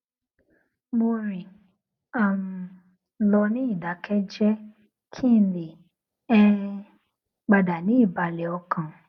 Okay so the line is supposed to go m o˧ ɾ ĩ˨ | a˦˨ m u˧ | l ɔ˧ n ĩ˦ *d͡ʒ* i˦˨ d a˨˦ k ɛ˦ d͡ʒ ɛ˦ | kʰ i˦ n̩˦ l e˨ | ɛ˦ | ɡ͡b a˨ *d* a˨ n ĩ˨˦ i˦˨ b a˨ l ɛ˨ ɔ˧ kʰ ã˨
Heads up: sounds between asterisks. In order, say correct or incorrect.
incorrect: none, correct

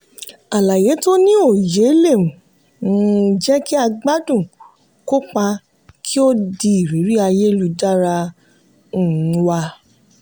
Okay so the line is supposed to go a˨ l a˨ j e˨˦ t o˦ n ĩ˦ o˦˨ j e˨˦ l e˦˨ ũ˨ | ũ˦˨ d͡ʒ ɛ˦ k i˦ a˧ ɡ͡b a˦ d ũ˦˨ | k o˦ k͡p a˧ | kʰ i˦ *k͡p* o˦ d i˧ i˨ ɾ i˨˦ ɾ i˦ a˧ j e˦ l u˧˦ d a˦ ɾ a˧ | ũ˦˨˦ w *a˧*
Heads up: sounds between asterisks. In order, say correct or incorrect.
incorrect: none, correct

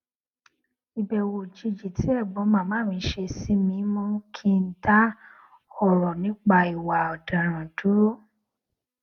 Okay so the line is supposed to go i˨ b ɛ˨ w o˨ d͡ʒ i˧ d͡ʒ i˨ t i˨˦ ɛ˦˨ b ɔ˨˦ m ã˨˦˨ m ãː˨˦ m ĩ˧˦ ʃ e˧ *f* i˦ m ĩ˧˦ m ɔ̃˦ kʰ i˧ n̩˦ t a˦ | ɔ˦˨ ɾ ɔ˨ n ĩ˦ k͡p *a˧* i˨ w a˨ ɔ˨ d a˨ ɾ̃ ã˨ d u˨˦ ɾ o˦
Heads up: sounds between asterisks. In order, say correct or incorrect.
incorrect: s, correct

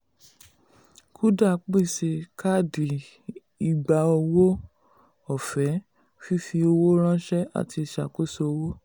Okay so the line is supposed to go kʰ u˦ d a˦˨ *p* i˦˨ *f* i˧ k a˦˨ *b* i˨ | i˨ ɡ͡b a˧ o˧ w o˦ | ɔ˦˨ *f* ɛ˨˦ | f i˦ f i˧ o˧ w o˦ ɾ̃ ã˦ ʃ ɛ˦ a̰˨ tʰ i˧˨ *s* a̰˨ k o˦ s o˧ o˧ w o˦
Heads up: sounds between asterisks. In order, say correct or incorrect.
incorrect: k͡p, incorrect: s, incorrect: d, correct, incorrect: ʃ

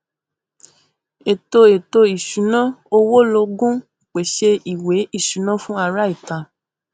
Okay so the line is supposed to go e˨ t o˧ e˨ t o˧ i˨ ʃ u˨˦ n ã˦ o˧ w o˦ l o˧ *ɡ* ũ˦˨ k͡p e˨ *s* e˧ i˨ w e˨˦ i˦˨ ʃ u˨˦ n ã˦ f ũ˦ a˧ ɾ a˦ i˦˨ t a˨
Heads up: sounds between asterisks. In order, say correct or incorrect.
correct, incorrect: ʃ

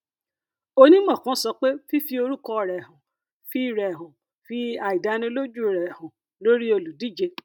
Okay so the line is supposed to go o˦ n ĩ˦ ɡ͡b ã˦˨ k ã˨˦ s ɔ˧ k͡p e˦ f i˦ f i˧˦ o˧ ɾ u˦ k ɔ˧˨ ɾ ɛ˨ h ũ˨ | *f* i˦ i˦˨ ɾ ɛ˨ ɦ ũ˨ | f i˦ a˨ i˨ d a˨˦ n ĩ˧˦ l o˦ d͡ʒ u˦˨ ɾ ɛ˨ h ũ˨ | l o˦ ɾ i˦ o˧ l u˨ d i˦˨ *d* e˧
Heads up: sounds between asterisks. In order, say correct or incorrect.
correct, incorrect: d͡ʒ

